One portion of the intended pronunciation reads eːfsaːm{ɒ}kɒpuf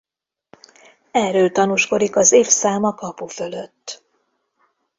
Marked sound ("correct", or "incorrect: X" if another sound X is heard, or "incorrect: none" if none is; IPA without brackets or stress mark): correct